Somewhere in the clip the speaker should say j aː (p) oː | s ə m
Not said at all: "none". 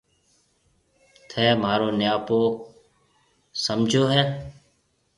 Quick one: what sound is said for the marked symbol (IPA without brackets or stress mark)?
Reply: p